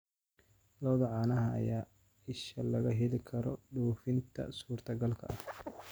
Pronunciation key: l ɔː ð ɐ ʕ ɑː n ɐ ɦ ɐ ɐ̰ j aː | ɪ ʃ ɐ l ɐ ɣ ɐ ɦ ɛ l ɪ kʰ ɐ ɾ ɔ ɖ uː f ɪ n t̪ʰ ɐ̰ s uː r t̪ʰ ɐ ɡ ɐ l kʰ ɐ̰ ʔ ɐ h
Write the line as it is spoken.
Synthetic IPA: l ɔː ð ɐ ʕ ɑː n ɐ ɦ ɐ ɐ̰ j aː | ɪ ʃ ɐ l ɐ ɣ ɐ ɦ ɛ l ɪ kʰ ɐ ɾ ɔ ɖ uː f ɪ n t̪ʰ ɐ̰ s uː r t̪ʰ ɐ ɡ ɐ l kʰ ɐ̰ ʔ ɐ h